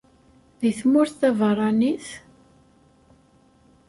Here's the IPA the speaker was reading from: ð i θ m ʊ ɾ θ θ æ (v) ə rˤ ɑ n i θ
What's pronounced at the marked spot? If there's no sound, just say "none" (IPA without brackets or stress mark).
v